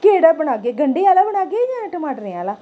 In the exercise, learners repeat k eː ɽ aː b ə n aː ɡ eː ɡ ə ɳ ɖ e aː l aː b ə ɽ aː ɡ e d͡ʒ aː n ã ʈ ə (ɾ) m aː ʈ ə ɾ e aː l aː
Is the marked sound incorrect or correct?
incorrect